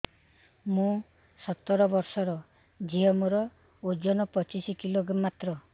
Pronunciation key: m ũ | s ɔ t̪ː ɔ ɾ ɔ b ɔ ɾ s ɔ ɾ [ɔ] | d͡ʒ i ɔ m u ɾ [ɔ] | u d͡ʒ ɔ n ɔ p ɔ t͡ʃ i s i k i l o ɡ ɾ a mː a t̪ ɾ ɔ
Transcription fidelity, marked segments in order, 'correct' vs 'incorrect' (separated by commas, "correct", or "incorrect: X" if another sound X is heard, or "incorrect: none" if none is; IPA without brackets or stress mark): correct, correct